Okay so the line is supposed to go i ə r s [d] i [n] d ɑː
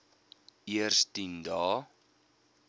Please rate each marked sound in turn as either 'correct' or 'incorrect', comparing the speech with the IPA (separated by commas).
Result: incorrect, correct